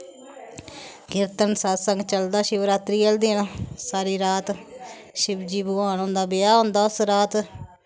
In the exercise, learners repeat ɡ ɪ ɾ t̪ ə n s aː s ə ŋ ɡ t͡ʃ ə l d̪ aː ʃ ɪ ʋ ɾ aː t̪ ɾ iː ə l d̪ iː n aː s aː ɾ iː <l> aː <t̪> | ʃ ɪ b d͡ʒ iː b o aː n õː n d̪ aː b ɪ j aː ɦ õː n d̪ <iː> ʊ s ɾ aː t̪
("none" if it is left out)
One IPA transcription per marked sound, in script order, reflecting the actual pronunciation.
ɾ, t̪, aː

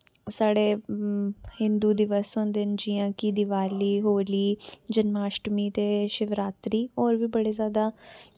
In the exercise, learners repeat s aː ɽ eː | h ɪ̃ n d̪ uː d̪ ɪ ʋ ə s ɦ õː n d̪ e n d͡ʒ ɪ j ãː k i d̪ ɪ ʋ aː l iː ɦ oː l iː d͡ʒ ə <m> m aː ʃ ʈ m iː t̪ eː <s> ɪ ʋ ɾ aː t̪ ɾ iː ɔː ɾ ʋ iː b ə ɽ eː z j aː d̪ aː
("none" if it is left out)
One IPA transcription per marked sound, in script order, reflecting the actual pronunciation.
n, ʃ

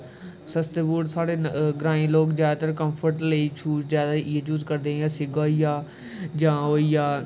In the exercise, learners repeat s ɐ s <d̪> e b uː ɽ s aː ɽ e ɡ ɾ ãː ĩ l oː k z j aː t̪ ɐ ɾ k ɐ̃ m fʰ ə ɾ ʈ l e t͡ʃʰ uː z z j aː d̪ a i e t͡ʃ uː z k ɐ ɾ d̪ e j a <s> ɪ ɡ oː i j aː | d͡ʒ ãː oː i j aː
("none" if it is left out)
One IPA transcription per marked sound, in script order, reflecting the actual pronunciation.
t̪, s

